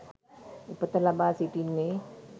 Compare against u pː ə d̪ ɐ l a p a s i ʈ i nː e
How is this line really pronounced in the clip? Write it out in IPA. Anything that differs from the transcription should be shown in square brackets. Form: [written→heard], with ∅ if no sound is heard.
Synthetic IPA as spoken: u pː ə [d̪→t̪] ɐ l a [p→b] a s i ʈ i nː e